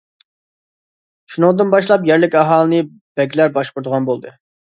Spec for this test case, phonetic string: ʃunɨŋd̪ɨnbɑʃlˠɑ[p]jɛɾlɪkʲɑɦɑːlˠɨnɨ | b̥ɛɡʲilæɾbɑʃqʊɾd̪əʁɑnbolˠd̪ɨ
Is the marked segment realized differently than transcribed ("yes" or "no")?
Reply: no